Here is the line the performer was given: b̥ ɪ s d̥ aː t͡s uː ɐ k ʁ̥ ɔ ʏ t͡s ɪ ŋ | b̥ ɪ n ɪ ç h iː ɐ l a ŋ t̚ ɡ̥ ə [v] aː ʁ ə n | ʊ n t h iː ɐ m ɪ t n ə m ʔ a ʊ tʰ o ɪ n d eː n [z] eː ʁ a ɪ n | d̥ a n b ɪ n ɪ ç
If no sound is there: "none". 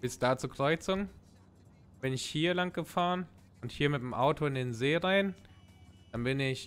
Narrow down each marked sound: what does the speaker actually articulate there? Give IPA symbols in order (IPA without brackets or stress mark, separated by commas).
f, z